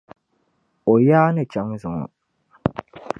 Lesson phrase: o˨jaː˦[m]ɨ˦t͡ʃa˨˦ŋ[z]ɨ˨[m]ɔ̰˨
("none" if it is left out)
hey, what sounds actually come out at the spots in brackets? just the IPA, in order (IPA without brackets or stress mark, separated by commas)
n, z, ŋ